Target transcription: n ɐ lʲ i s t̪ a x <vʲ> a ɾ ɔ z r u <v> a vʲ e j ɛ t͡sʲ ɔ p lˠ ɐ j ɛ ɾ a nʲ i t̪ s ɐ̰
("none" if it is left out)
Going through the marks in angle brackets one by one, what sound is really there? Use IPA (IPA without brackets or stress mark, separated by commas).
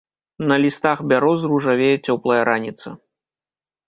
bʲ, ʐ